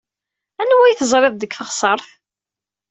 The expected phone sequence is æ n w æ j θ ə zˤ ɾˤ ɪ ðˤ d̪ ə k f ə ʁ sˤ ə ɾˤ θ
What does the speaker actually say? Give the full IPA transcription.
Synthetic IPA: æ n w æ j θ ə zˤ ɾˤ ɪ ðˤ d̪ ə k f ə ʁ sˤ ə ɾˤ θ